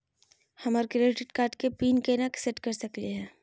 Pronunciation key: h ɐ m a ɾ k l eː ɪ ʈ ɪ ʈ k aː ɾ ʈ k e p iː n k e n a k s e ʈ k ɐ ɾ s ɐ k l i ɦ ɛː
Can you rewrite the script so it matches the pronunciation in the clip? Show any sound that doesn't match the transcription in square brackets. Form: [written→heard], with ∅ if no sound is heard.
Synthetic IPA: h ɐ m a ɾ k [l→ɾ] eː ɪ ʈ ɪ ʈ k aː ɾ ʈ k e p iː n k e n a k s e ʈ k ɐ ɾ s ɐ k l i ɦ ɛː